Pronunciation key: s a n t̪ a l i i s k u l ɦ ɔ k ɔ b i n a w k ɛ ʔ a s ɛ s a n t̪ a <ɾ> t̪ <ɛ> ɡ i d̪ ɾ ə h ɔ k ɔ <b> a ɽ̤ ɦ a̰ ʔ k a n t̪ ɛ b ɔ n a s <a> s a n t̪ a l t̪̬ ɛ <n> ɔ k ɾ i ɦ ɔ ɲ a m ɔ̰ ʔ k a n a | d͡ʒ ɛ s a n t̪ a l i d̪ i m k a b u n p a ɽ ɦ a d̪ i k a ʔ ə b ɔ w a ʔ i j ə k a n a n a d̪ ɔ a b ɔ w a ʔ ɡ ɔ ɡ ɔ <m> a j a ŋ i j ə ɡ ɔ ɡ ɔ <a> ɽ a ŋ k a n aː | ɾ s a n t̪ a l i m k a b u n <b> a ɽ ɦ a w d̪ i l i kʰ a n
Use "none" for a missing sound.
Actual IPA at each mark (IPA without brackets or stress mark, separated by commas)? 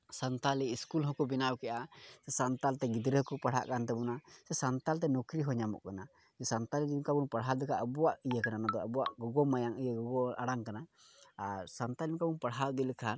l, ɛ, p, ɛ, n, m, a, p